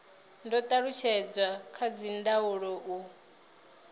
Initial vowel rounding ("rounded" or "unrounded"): rounded